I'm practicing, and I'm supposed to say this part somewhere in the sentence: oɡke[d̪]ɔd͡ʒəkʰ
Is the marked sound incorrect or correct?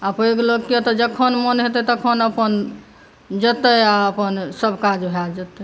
incorrect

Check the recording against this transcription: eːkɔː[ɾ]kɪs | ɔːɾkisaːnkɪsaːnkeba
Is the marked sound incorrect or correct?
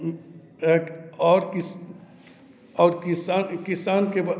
correct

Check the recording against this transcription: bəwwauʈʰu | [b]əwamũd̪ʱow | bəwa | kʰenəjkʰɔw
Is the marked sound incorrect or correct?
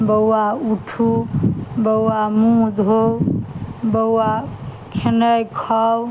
correct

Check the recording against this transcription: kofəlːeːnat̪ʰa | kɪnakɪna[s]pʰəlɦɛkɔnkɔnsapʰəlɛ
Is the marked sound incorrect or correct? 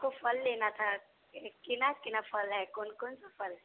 incorrect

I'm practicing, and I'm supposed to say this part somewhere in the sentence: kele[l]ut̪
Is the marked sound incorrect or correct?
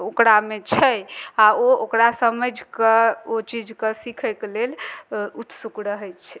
correct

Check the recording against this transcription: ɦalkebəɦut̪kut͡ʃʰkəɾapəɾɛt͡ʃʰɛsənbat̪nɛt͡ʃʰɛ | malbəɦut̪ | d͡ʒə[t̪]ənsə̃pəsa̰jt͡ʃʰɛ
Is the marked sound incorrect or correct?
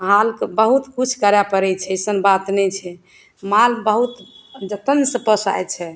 correct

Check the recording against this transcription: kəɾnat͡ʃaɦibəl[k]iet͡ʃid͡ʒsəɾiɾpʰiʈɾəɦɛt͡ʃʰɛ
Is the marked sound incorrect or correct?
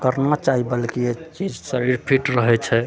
correct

